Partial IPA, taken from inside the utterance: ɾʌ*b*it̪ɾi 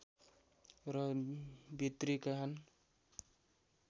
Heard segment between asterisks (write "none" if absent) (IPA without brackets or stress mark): b